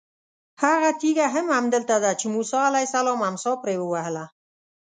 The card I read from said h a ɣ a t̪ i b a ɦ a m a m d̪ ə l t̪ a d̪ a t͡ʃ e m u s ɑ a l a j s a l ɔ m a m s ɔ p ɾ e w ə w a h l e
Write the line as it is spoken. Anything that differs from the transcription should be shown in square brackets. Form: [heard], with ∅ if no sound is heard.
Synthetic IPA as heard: h a ɣ a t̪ i [ɡ] a ɦ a m a m d̪ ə l t̪ a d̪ a t͡ʃ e m u s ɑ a l a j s a l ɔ m a m s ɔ p ɾ e w ə w a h l [a]